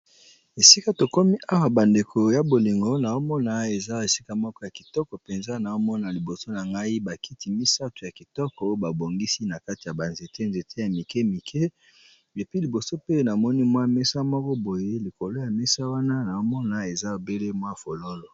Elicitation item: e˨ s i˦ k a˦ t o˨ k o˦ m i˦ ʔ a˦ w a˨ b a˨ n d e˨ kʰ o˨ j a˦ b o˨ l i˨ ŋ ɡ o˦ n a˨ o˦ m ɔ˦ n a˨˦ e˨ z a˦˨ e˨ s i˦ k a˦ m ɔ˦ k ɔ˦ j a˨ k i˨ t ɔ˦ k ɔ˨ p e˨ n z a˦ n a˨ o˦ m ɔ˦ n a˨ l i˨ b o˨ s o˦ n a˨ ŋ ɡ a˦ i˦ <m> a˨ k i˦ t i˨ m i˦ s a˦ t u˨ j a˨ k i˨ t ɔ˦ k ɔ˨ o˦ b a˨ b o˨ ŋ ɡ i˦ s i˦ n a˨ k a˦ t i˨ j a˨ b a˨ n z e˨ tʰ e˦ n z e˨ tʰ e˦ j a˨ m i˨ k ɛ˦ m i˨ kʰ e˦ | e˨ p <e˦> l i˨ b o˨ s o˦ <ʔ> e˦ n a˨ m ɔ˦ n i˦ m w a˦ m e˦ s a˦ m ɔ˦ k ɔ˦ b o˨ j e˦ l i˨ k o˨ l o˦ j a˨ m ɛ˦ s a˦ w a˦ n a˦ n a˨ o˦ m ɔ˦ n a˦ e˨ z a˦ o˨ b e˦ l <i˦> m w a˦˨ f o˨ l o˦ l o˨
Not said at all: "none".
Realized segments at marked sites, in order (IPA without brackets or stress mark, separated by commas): b, i˦, p, e˦